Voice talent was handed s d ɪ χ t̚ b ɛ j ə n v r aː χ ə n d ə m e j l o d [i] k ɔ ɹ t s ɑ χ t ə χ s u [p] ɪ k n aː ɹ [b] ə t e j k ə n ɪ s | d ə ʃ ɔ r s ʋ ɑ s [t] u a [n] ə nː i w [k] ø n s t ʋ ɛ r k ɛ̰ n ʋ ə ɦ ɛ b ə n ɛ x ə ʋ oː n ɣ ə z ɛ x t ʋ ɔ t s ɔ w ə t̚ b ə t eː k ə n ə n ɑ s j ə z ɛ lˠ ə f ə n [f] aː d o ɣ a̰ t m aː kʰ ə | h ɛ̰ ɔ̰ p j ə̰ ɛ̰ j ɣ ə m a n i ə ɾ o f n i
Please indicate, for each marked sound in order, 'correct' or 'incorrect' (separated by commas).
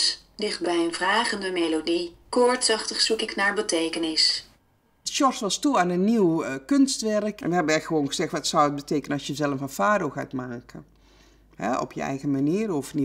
correct, incorrect, correct, correct, correct, correct, correct